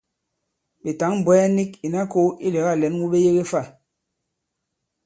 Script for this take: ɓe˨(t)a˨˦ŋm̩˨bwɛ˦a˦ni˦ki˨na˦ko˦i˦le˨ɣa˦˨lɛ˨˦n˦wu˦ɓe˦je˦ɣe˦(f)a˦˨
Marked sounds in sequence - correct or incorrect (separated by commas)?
correct, correct